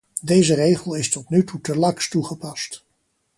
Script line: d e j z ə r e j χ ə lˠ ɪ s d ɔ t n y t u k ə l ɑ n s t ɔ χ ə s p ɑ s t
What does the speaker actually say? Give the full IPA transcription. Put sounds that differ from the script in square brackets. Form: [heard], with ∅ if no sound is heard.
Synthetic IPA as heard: d e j z ə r e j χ ə lˠ ɪ s [t] ɔ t n y t u [t] ə l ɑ [ŋ] s t [u] χ ə [∅] p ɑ s t